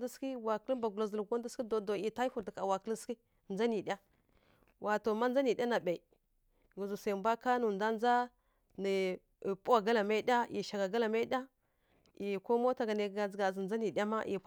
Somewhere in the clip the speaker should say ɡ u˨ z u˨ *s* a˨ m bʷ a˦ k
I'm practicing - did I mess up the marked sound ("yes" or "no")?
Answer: no